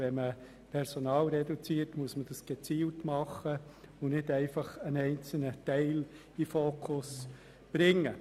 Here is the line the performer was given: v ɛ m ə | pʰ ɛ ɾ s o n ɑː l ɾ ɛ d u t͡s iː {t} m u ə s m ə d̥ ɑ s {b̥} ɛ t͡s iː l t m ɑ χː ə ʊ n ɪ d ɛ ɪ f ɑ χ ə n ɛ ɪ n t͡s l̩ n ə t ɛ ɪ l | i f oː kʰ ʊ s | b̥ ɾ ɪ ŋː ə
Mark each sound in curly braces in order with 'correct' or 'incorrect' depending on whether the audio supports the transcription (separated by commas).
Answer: correct, incorrect